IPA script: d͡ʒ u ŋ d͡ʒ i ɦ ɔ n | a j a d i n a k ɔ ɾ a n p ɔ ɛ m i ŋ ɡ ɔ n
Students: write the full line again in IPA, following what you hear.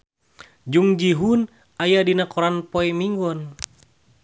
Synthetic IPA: d͡ʒ u ŋ d͡ʒ i ɦ u n | a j a d i n a k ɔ ɾ a n p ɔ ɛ m i ŋ ɡ ɔ n